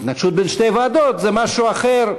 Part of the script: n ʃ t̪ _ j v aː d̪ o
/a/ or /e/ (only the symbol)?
e